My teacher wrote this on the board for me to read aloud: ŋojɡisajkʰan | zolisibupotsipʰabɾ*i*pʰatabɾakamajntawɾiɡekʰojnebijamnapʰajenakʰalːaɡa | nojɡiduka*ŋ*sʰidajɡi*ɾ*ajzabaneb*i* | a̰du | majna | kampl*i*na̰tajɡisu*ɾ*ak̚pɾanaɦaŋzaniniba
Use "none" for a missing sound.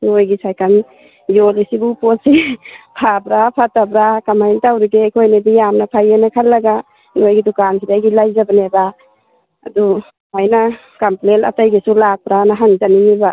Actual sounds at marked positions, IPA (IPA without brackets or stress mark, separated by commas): a, n, l, a, e, l